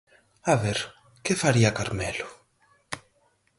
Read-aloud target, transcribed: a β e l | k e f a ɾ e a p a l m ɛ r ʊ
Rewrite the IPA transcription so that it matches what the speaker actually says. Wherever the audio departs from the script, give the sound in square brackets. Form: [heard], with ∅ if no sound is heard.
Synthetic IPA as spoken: a β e [ɾ] | k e f a ɾ [i] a [k] a [ɾ] m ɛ [l] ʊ